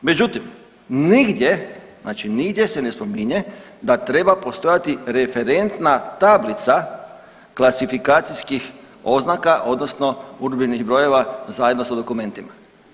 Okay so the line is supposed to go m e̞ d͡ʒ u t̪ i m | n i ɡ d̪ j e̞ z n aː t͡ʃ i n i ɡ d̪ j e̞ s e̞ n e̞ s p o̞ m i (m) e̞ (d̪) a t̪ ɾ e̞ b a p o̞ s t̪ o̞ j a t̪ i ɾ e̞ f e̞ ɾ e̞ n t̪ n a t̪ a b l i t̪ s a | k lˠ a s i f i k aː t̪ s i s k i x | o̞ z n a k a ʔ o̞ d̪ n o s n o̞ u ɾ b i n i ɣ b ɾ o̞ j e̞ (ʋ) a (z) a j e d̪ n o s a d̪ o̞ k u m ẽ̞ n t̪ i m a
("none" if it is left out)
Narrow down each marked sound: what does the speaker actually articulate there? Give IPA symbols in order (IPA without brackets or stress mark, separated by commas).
ɲ, d̪, ʋ, z